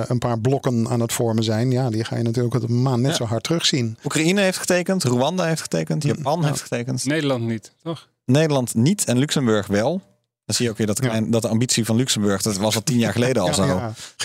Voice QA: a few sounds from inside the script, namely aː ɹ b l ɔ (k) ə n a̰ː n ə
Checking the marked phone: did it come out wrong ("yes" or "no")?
no